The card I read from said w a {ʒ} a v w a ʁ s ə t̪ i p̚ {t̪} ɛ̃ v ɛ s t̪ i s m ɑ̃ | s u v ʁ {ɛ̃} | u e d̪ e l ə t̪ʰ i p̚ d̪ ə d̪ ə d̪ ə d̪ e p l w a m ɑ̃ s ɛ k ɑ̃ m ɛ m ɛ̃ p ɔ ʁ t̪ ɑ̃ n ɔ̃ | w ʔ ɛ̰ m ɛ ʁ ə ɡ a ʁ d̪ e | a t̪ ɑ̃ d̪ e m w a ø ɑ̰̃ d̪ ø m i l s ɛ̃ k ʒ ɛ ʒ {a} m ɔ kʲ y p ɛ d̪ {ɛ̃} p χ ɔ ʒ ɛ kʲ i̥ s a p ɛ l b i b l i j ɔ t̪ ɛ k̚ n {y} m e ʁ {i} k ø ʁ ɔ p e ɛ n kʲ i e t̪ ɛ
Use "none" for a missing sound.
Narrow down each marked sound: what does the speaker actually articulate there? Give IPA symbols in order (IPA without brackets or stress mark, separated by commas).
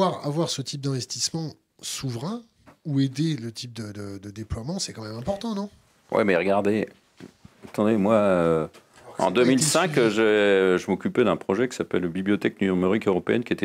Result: ʁ, d̪, ɛ̃, ə, ɛ̃, y, i